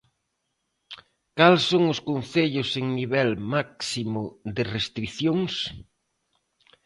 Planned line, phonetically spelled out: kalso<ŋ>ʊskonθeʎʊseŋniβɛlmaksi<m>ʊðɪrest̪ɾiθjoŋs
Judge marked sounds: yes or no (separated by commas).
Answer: yes, yes